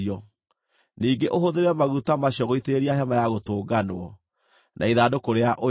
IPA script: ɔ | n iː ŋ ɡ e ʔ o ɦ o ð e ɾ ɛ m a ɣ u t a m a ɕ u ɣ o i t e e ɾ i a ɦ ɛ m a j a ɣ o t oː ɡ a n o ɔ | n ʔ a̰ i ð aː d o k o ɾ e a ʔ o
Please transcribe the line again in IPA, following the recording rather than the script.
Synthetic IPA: ɔ | n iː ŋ ɡ e ʔ o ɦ o ð e ɾ ɛ m a ɣ u t a m a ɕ ɔ ɣ o i t e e ɾ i a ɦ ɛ m a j a ɣ o t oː ɡ a n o ɔ | n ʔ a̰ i ð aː d o k o ɾ e a ʔ o